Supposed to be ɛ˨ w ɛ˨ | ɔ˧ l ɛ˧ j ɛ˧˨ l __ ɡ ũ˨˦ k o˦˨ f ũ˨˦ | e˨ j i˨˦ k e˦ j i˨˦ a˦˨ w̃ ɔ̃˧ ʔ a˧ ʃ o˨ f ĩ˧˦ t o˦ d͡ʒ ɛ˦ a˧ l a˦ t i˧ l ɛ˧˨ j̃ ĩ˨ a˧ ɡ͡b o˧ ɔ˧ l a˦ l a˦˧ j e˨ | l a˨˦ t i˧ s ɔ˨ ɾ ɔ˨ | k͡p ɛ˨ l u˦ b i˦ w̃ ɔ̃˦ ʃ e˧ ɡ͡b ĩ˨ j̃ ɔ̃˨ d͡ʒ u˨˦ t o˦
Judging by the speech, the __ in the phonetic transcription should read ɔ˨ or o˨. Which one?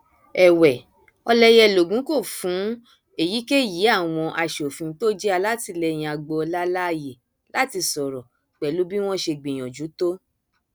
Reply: o˨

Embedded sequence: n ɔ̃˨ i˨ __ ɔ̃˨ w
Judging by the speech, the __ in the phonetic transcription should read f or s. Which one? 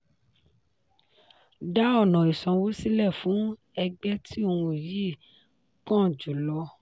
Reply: s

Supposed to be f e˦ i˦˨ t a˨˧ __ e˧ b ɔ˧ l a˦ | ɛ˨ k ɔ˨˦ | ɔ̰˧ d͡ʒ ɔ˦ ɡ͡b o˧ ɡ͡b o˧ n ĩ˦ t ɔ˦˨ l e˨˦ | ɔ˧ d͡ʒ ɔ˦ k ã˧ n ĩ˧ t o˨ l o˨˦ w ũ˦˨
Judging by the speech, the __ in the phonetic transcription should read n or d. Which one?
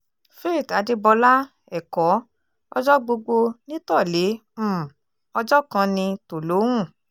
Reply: d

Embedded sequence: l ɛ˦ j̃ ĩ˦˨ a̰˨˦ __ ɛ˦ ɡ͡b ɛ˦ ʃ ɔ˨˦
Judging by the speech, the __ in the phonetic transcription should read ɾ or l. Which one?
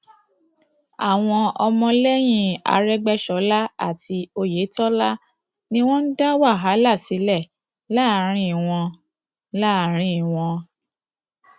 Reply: ɾ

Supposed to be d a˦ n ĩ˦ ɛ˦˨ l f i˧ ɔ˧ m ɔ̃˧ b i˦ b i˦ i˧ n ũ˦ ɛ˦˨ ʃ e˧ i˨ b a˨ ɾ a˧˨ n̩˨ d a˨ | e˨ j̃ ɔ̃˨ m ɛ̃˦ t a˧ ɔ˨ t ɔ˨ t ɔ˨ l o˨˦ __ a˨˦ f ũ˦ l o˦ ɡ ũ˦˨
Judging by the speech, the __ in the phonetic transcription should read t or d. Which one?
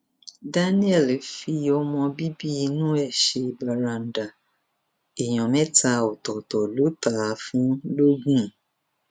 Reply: t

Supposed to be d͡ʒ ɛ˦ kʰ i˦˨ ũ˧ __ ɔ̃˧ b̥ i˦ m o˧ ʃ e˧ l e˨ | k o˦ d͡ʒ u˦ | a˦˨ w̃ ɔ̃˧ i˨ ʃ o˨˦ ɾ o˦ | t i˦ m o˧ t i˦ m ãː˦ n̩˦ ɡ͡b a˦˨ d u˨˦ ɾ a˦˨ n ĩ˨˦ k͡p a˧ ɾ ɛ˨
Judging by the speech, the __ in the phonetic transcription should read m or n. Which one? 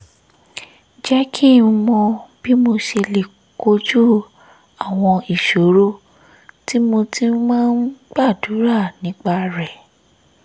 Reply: m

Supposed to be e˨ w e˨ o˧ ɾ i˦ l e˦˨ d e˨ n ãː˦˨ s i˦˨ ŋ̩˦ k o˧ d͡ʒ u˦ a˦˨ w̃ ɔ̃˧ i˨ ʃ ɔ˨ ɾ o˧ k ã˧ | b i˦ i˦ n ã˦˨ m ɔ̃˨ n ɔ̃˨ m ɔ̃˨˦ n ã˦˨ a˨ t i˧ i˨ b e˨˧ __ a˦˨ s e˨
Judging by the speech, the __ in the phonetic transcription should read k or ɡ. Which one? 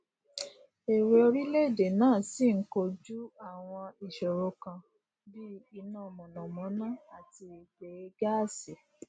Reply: ɡ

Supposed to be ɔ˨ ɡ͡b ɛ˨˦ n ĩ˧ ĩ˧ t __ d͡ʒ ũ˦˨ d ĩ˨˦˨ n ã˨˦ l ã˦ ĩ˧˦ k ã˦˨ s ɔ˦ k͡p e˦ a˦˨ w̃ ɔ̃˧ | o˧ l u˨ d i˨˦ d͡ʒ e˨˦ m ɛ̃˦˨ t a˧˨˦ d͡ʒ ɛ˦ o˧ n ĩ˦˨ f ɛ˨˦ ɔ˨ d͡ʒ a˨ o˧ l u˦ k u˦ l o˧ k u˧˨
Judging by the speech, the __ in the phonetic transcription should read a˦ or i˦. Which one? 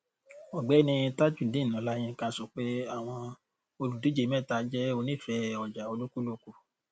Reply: a˦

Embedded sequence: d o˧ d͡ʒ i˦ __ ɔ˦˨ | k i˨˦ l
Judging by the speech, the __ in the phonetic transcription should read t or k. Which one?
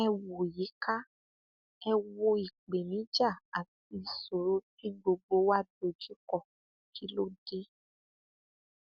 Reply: k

